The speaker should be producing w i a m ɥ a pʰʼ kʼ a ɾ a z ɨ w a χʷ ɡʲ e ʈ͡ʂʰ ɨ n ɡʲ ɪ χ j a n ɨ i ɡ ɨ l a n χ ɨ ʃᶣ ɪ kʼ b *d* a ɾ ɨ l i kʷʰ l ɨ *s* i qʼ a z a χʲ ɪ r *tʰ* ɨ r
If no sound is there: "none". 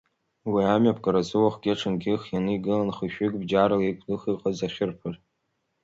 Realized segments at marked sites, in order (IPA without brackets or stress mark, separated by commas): d͡ʒ, χ, pʰ